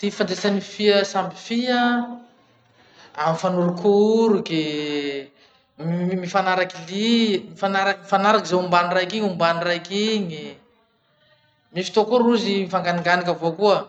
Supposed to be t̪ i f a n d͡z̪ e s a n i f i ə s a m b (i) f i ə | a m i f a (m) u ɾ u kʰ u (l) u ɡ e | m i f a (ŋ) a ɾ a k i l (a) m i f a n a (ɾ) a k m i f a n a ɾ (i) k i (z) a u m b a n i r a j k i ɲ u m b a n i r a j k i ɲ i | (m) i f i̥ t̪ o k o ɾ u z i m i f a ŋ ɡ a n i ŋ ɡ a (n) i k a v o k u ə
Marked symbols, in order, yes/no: yes, no, no, no, no, yes, no, yes, yes, yes

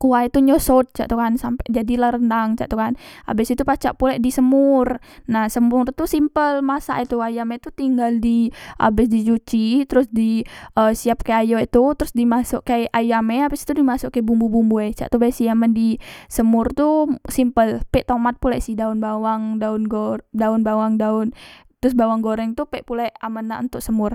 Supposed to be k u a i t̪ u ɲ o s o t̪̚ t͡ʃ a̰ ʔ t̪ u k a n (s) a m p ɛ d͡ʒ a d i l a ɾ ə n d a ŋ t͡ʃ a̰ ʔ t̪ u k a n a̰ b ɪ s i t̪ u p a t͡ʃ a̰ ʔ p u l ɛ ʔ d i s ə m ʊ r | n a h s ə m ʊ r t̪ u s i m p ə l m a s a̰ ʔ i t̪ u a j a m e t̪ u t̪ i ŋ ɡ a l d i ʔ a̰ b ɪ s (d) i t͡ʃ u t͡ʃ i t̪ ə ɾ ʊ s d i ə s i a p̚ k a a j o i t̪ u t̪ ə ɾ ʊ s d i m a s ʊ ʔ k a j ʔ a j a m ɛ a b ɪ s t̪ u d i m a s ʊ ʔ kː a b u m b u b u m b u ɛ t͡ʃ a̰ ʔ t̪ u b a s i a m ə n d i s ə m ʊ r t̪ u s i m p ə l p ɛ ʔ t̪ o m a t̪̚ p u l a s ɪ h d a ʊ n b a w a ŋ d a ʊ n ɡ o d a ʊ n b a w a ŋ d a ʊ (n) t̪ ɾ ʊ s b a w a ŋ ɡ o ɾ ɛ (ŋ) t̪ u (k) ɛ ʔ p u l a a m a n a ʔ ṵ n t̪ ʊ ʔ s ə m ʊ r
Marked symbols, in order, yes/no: yes, yes, yes, yes, no

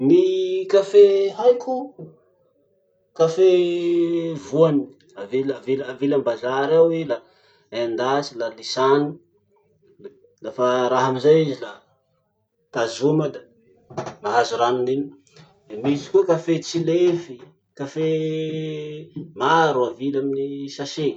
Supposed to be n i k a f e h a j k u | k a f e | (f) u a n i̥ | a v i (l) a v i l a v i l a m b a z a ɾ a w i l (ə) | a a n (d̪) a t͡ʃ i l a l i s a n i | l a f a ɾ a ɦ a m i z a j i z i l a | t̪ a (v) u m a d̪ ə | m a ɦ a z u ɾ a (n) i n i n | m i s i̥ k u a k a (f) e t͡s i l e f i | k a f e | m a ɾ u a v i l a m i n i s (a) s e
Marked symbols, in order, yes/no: no, yes, no, yes, no, yes, yes, yes

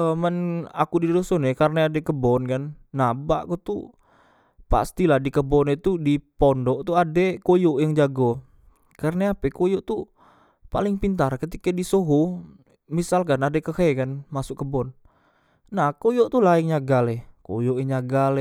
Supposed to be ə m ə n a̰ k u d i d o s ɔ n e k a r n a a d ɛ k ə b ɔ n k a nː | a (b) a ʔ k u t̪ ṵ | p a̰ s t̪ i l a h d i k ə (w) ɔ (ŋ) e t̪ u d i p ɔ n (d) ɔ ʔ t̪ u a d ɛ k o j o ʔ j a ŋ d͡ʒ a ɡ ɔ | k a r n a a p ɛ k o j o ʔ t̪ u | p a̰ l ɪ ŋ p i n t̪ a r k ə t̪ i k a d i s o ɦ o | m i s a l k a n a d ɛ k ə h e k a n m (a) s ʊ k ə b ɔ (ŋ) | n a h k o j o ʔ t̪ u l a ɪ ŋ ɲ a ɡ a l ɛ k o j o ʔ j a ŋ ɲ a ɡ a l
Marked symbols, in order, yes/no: yes, no, no, yes, yes, no

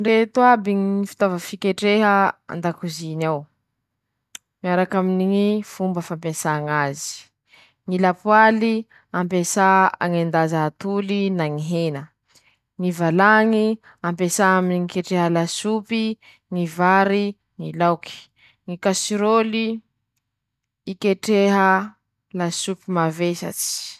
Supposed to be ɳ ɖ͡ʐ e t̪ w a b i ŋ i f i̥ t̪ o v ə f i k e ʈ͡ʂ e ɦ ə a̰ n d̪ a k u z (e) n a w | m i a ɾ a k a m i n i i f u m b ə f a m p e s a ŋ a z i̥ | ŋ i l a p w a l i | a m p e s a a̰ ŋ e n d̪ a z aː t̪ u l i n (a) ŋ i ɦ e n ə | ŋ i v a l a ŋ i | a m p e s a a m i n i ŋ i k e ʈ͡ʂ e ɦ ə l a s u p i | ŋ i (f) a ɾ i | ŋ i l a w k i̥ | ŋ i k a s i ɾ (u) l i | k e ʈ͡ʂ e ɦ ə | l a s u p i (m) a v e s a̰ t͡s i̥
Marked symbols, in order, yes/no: no, yes, no, no, yes

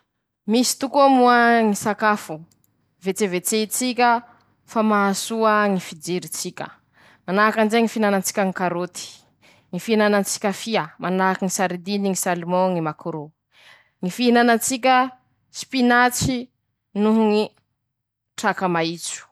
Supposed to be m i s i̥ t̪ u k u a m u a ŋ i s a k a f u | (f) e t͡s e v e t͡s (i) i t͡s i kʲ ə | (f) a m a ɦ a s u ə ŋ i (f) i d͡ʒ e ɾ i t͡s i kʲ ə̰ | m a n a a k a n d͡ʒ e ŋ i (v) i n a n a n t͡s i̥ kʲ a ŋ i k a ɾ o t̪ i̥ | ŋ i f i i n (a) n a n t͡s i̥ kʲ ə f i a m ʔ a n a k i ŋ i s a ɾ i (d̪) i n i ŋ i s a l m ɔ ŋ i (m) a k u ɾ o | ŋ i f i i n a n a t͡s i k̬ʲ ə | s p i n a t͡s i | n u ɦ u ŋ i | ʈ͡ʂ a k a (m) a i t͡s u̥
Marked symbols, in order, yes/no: no, no, yes, yes, no, yes, yes, yes, yes

